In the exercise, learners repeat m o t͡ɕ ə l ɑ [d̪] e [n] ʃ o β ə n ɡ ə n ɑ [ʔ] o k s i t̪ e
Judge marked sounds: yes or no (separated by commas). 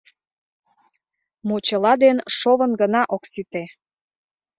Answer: yes, yes, yes